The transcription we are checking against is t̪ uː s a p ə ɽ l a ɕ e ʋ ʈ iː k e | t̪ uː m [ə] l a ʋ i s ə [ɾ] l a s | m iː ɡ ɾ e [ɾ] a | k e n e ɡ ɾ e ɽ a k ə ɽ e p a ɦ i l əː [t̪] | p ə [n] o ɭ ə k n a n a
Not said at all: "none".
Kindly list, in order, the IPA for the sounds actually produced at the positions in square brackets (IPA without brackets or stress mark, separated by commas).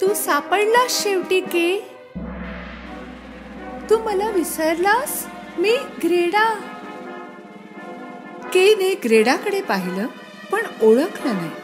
ə, ɾ, ɽ, none, ɳ